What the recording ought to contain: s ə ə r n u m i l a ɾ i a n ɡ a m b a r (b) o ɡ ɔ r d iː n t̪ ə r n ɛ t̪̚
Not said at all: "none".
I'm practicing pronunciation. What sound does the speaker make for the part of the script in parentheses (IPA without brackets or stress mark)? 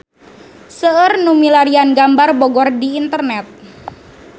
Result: b